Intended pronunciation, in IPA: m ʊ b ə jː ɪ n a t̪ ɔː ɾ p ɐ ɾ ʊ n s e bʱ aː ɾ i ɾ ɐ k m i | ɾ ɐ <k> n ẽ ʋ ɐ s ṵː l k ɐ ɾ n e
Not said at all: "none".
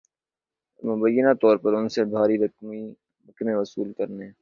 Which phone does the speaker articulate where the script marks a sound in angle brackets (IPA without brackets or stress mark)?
k